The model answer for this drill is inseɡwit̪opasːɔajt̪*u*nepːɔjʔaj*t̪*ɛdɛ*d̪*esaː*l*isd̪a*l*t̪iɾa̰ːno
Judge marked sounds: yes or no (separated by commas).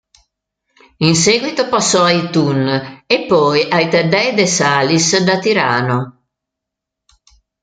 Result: yes, yes, yes, yes, no